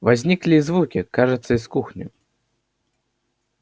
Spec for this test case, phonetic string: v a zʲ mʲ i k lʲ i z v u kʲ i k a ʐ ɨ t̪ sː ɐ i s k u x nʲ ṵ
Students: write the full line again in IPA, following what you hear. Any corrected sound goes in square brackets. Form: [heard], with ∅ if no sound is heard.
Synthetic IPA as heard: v a zʲ [nʲ] i k lʲ i z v u kʲ i k a ʐ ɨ t̪ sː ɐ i s k u x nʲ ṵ